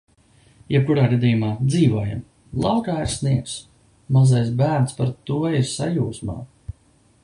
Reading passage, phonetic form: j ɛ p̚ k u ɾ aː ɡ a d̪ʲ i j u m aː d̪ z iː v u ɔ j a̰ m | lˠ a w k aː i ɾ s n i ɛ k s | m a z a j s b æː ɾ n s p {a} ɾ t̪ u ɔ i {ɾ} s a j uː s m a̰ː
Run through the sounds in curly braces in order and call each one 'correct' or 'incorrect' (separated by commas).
correct, correct